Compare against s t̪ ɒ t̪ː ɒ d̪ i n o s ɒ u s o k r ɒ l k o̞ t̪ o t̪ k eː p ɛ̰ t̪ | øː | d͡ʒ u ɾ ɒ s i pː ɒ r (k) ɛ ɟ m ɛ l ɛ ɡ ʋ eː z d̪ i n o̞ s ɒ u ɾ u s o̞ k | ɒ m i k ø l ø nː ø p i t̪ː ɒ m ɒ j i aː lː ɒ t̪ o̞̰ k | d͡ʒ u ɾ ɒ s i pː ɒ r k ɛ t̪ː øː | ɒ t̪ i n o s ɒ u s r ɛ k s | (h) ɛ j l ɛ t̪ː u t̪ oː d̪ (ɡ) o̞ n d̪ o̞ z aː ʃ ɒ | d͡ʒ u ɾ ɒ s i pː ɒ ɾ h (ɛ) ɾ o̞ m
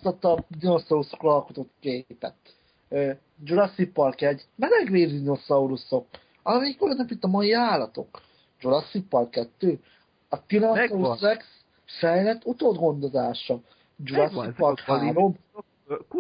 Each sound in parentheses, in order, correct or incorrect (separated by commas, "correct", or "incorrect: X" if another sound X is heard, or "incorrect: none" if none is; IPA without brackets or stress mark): correct, incorrect: f, correct, incorrect: a